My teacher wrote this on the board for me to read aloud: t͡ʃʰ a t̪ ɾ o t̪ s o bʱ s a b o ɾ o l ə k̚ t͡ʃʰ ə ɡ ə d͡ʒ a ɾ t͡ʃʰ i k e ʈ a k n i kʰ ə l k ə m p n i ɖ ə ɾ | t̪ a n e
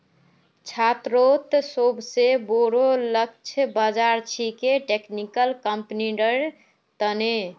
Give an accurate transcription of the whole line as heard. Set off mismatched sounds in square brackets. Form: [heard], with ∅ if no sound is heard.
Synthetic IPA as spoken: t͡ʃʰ a t̪ ɾ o t̪ s o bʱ s [e] b o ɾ o l ə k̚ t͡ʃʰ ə [b] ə d͡ʒ a ɾ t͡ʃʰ i k e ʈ [e] k n i [k] ə l k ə m p n i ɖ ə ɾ | t̪ [ə] n e